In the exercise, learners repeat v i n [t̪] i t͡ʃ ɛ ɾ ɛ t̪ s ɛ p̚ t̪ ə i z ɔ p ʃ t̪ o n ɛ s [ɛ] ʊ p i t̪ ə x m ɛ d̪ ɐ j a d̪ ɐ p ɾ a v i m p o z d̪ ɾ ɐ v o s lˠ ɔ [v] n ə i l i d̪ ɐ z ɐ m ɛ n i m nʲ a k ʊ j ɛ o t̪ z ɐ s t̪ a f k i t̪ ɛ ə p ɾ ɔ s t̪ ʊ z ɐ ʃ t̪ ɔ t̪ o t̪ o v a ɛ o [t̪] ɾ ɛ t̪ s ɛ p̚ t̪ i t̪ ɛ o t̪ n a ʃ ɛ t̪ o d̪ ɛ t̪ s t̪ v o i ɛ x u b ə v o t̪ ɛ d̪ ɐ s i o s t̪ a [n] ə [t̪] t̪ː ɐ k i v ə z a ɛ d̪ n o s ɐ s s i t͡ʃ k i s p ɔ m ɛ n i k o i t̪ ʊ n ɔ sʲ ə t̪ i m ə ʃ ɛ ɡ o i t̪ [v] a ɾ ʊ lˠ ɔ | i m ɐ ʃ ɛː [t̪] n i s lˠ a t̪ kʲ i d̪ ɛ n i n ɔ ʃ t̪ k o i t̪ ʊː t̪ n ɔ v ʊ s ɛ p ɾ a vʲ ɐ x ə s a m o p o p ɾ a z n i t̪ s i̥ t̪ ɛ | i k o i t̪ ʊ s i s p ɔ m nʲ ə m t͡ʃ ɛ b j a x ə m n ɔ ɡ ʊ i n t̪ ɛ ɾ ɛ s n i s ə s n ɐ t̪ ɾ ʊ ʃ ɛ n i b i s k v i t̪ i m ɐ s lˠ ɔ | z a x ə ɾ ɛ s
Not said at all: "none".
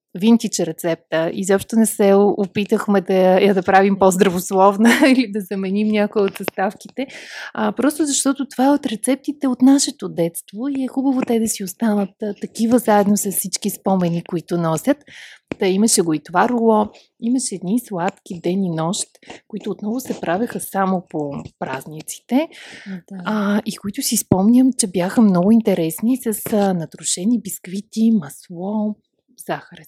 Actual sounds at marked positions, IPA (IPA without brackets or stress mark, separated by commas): t̪, ɛ, v, t̪, n, t̪, v, d̪